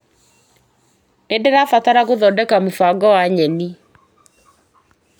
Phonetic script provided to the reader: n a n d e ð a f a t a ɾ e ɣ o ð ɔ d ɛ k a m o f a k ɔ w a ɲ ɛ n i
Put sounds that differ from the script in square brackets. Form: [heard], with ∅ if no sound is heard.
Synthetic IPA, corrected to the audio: n [e] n d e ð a f a t a ɾ [a] ɣ o ð ɔ d ɛ k a m o f a [ɡ] ɔ w a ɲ ɛ n i